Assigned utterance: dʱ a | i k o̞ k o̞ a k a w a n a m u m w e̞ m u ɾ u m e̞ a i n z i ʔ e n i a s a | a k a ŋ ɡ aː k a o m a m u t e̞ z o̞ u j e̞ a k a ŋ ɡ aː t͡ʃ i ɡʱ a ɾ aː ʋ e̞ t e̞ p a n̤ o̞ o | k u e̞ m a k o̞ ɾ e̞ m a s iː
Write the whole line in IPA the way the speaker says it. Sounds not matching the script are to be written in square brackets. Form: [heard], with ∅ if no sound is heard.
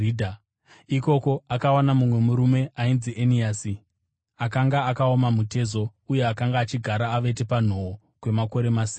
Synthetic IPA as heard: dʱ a | i k o̞ k o̞ a k a w a n a m u m w e̞ m u ɾ u m e̞ a i n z i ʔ e n i a s [i] | a k a ŋ ɡ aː k a o m a m u t e̞ z o̞ u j e̞ a k a ŋ ɡ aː t͡ʃ i ɡʱ a ɾ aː ʋ e̞ t e̞ p a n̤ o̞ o | k [w] e̞ m a k o̞ ɾ e̞ m a s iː